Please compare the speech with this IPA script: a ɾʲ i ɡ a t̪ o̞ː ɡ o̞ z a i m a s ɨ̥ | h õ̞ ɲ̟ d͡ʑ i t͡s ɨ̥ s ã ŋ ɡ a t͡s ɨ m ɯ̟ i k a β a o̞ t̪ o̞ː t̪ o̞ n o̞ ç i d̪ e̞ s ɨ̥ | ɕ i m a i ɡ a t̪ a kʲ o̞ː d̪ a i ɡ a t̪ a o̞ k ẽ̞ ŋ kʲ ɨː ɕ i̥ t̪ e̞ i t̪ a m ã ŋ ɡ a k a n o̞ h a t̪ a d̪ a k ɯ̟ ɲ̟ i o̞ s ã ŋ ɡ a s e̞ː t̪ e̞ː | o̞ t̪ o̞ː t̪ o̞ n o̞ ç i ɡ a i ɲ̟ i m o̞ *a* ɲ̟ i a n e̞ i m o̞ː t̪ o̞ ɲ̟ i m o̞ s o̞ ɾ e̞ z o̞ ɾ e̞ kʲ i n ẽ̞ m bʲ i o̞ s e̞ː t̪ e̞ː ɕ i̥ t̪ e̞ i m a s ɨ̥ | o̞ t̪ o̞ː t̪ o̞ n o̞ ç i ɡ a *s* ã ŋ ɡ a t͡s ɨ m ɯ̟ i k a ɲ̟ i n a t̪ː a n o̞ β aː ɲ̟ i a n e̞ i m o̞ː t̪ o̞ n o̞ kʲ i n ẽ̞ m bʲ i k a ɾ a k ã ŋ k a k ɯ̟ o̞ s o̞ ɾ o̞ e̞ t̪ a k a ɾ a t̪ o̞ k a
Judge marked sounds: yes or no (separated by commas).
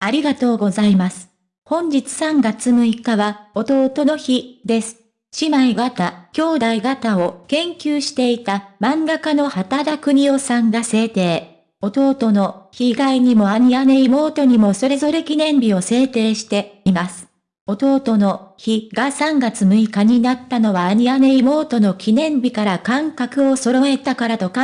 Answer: yes, yes